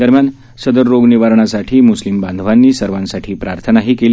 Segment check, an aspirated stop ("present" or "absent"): present